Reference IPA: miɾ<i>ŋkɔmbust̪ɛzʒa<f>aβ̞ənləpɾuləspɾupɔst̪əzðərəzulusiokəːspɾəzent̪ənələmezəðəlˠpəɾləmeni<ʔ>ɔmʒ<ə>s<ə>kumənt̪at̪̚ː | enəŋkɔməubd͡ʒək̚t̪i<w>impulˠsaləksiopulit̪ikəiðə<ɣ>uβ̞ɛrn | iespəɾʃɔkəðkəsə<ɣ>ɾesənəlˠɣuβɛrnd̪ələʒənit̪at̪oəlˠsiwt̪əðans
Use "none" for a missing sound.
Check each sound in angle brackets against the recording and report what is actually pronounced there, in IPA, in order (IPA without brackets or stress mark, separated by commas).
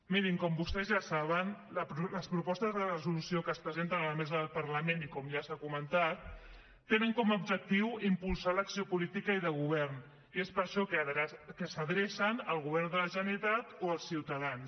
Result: i, s, k, a, a, w, ɣ, ð